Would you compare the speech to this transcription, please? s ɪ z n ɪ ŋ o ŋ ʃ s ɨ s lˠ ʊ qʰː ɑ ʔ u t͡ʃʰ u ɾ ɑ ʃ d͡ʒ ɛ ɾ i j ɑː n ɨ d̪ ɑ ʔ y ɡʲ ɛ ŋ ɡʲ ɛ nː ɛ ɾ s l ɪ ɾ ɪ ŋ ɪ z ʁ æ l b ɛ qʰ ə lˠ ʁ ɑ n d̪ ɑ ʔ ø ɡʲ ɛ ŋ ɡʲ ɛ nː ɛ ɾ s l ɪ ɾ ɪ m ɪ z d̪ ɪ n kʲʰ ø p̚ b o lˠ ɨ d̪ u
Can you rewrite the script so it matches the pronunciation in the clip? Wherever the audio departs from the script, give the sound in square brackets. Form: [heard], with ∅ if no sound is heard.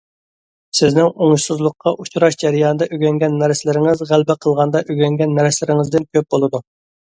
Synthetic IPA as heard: s ɪ z n ɪ ŋ o ŋ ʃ s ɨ [z] lˠ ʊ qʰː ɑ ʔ u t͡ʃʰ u ɾ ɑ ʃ d͡ʒ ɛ ɾ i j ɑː n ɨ d̪ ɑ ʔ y ɡʲ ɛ ŋ ɡʲ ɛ nː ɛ ɾ s l ɪ ɾ ɪ ŋ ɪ z ʁ æ l b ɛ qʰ ə lˠ ʁ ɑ n d̪ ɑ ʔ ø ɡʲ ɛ ŋ ɡʲ ɛ nː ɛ ɾ s l ɪ ɾ ɪ [ŋ] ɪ z d̪ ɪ n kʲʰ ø p̚ b o lˠ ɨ d̪ u